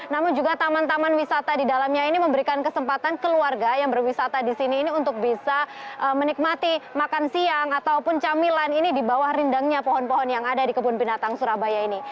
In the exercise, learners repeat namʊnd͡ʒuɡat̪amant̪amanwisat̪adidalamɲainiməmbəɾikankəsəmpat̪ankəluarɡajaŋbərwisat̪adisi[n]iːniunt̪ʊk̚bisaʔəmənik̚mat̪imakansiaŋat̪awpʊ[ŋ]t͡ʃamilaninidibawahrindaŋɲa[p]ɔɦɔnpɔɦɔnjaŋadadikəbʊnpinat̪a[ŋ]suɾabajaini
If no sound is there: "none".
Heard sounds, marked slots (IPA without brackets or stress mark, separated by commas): n, n, p, ŋ